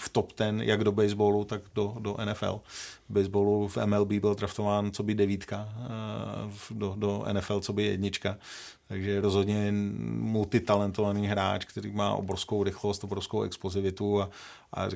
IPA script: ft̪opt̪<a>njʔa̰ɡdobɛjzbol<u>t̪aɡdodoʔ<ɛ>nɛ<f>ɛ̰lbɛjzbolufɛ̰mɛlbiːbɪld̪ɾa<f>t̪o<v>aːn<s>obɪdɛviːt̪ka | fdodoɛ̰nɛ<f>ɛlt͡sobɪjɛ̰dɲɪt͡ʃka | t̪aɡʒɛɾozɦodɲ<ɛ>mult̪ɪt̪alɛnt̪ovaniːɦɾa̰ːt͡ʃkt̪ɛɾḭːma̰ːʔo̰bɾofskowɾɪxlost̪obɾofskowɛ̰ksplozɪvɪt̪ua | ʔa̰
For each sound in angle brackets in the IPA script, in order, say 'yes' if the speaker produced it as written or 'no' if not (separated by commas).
no, yes, yes, yes, yes, yes, no, yes, yes